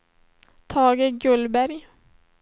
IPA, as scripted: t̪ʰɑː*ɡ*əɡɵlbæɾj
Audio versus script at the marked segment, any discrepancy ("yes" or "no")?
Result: no